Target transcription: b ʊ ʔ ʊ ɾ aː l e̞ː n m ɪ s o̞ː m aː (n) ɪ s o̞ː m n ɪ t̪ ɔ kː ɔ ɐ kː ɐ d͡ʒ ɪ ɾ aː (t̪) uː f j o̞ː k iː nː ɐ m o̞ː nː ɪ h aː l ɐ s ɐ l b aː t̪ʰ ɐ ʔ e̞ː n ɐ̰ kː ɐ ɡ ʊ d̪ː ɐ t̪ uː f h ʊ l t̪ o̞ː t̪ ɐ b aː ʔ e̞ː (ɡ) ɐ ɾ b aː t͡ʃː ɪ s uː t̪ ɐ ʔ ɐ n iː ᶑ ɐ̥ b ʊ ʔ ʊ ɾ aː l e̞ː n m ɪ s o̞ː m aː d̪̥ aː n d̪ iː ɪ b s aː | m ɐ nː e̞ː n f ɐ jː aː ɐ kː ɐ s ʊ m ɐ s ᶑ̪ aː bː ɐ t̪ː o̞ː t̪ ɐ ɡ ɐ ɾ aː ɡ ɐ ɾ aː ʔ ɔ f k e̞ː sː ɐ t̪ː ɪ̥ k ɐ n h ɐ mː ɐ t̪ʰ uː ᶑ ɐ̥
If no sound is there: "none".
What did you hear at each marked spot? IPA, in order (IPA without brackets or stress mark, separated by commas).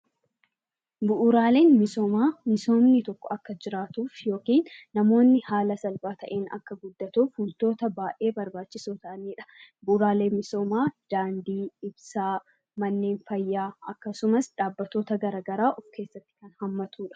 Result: m, t̪, b